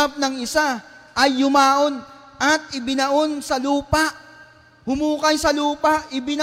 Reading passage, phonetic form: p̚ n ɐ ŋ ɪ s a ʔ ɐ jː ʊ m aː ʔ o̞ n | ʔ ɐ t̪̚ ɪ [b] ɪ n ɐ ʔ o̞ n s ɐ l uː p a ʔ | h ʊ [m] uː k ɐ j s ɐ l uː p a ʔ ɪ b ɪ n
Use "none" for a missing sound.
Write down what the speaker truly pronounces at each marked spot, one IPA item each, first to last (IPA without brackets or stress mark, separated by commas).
b, m